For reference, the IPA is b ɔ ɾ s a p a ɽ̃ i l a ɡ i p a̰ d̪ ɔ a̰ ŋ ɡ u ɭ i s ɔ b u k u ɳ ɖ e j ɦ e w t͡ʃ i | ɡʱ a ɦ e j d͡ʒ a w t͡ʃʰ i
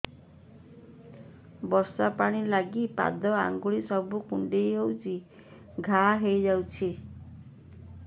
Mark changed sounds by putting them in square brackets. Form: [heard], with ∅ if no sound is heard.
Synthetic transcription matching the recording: b ɔ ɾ s a p a ɽ̃ i l a ɡ i p a̰ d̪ ɔ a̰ ŋ ɡ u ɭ i s ɔ b u k u ɳ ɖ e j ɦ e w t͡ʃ i | ɡʱ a ɦ e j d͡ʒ a w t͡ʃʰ i